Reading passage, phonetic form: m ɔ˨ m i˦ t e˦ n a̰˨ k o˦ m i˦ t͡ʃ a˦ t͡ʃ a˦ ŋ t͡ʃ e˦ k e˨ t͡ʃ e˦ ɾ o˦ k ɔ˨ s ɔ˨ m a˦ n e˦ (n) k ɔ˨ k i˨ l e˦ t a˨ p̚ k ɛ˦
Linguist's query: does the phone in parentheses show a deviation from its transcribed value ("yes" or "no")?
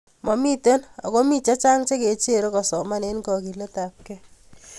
no